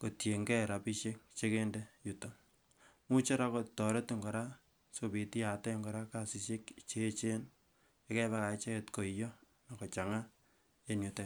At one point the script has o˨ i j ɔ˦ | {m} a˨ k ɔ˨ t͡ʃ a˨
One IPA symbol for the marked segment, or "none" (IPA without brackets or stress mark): n